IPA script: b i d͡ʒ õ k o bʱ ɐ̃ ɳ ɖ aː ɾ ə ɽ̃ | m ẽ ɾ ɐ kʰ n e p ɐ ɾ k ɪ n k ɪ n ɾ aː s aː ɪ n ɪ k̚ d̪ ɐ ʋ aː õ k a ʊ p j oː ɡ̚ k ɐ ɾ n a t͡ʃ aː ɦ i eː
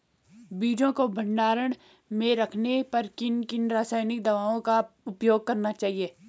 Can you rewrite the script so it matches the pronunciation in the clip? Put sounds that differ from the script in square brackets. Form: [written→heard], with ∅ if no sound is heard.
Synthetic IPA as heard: b [i→iː] d͡ʒ õ k o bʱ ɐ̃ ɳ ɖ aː ɾ ə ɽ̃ | m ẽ ɾ ɐ kʰ n e p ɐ ɾ k ɪ n k ɪ n ɾ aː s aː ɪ n ɪ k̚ d̪ ɐ ʋ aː õ k a ʊ p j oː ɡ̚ k ɐ ɾ n a t͡ʃ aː ɦ i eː